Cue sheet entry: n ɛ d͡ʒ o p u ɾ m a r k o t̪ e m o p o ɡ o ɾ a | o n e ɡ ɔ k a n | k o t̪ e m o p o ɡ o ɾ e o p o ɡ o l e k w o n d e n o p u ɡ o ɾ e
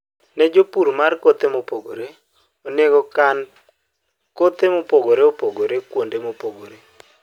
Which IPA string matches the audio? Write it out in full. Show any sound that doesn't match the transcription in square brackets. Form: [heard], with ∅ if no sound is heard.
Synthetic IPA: n ɛ d͡ʒ o p u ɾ m a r k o t̪ e m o p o ɡ o ɾ [e] | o n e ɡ ɔ k a n | k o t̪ e m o p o ɡ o ɾ e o p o ɡ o [ɾ] e k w o n d e [m] o p [o] ɡ o ɾ e